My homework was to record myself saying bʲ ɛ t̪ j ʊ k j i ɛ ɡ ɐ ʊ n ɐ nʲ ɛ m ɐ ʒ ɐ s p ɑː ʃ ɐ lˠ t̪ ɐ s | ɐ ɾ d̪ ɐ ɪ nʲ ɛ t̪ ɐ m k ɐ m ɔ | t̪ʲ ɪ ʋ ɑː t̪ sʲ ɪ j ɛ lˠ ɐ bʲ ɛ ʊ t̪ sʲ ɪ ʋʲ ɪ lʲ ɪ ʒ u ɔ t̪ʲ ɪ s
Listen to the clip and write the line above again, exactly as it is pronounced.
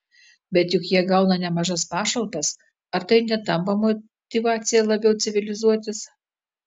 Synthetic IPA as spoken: bʲ ɛ t̪ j ʊ k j i ɛ ɡ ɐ ʊ n ɐ nʲ ɛ m ɐ ʒ ɐ s p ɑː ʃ ɐ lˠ t̪ ɐ s | ɐ ɾ t̪ ɐ ɪ nʲ ɛ t̪ ɐ m p ɐ m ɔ | t̪ʲ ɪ ʋ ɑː t̪ sʲ ɪ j ɛ lˠ ɐ bʲ ɛ ʊ t̪ sʲ ɪ ʋʲ ɪ lʲ ɪ z u ɔ t̪ʲ ɪ s